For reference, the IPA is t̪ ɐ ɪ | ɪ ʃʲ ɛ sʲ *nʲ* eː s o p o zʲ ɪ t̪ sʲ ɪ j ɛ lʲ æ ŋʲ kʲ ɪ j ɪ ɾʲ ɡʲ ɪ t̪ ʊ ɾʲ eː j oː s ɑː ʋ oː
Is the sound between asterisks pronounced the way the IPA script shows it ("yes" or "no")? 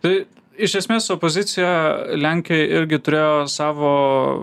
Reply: no